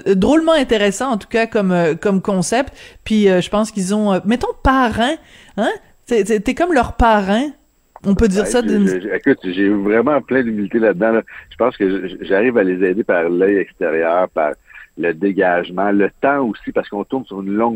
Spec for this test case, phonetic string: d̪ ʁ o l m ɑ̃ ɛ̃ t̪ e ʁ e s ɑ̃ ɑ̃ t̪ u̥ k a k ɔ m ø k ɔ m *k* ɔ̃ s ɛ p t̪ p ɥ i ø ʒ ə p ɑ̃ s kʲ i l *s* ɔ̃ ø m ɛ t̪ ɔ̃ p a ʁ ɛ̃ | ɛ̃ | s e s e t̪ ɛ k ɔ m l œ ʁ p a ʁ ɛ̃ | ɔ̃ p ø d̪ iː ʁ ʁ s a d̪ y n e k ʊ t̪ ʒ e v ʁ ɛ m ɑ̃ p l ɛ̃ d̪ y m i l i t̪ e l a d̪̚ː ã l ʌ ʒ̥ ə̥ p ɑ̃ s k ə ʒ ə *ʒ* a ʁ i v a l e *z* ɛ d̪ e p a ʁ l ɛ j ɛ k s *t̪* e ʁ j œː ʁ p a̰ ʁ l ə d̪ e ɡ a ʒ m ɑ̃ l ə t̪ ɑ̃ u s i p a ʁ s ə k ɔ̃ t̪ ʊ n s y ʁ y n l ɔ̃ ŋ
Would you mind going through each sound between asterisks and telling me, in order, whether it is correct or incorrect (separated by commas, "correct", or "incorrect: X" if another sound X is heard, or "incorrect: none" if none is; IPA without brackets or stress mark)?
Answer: correct, incorrect: z, correct, correct, correct